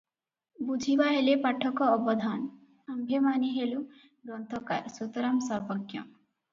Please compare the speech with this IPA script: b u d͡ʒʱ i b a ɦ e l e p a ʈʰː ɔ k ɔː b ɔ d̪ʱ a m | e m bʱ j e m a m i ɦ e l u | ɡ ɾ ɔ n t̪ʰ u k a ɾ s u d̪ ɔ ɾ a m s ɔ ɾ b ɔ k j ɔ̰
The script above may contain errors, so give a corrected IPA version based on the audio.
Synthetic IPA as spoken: b u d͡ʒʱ i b a ɦ e l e p a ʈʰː ɔ k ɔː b ɔ d̪ʱ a n | a m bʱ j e m a n i ɦ e l u | ɡ ɾ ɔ n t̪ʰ ɔ k a ɾ s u t̪ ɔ ɾ a m s ɔ ɾ b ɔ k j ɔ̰